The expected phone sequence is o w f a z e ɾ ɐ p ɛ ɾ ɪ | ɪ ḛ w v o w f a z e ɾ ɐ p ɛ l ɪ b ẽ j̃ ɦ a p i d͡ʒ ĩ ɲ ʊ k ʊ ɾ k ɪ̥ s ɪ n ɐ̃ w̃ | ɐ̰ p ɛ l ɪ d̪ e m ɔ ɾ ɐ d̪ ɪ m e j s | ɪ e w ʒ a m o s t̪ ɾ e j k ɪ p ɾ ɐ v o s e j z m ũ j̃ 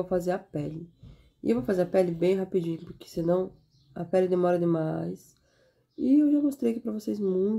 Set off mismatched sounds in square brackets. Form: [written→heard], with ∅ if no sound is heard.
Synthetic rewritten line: o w f a z e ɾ ɐ p ɛ [ɾ→l] ɪ | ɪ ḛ w v o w f a z e ɾ ɐ p ɛ l ɪ b ẽ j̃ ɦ a p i d͡ʒ ĩ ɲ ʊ [k→p] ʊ ɾ k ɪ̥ s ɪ n ɐ̃ w̃ | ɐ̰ p ɛ l ɪ d̪ e m ɔ ɾ ɐ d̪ ɪ m [e→a] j s | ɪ e w ʒ a m o s t̪ ɾ e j k ɪ p ɾ ɐ v o s e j z m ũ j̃